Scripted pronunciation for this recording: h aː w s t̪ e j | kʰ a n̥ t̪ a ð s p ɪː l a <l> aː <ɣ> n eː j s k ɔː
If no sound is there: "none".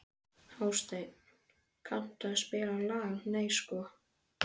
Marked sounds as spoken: l, ɣ

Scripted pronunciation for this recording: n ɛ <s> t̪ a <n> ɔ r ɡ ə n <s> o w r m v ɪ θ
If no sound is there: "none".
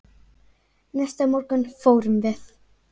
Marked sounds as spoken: s, m, f

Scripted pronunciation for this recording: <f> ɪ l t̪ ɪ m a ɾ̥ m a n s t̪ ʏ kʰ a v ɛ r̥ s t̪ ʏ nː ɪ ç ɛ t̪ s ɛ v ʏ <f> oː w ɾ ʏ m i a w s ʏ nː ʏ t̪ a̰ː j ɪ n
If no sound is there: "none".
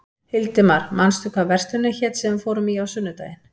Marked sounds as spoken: h, f

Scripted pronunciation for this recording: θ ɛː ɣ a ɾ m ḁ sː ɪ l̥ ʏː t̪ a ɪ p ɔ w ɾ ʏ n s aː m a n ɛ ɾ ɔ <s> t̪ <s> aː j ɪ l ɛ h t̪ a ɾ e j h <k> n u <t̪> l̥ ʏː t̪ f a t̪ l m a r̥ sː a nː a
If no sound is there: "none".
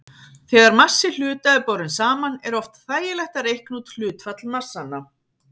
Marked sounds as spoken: f, θ, k, t̪

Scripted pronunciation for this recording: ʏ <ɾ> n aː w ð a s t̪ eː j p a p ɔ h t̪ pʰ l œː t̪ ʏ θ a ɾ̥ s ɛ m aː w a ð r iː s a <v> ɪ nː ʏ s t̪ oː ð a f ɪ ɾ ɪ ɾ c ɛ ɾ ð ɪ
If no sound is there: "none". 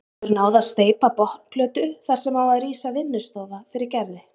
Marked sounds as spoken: ɾ, v

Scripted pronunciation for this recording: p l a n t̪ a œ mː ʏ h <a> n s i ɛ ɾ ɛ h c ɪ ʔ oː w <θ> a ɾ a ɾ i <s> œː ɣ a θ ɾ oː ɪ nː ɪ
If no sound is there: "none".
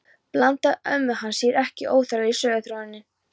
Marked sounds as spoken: a, θ, s

